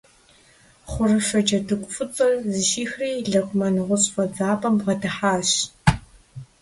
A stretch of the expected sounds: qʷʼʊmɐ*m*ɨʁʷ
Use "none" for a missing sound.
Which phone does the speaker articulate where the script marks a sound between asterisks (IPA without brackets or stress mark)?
n